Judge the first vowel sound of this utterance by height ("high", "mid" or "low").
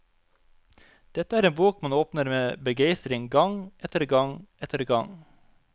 mid